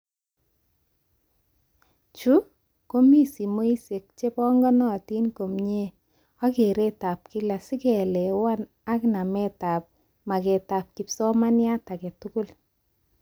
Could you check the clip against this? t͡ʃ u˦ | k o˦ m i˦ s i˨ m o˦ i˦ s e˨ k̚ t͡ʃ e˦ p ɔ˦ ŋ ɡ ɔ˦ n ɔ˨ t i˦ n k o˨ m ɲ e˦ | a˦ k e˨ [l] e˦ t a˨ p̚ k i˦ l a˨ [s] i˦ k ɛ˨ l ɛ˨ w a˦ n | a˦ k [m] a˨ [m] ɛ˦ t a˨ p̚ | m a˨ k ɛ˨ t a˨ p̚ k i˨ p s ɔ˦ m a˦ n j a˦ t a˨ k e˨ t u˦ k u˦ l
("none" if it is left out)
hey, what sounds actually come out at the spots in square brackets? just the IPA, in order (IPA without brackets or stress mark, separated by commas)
ɾ, s, n, m